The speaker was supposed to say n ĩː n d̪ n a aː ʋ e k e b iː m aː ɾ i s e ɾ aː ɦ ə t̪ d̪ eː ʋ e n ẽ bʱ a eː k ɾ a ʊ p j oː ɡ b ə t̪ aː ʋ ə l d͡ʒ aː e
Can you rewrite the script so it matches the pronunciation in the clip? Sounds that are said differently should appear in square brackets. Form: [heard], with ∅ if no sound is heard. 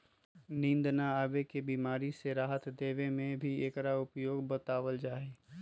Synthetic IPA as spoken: n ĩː n d̪ n a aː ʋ e k e b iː m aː ɾ i s e ɾ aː ɦ ə t̪ d̪ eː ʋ e [m] ẽ bʱ [i] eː k ɾ a ʊ p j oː ɡ b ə t̪ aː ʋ ə l d͡ʒ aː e